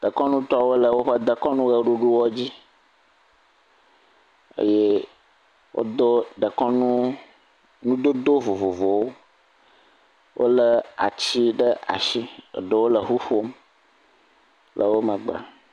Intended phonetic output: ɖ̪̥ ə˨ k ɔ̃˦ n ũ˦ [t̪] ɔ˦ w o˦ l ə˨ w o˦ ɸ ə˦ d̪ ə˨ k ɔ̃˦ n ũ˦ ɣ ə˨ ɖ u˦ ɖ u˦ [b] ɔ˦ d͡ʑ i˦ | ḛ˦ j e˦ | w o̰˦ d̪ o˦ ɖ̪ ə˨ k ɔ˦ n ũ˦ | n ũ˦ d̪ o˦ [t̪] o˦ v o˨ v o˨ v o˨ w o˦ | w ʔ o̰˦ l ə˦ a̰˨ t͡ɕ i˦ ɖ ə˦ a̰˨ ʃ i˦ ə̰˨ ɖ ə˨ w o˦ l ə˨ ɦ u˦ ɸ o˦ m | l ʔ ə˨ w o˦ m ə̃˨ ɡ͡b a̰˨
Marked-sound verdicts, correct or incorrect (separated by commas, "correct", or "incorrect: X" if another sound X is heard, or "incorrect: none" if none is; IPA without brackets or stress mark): correct, incorrect: w, incorrect: d̪